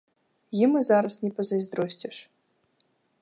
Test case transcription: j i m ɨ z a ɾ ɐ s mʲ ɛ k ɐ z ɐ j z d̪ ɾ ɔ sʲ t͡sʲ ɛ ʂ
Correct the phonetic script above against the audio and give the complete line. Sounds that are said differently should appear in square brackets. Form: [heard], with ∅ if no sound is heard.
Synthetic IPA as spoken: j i m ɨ z a ɾ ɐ s [nʲ] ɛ [p] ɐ z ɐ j z d̪ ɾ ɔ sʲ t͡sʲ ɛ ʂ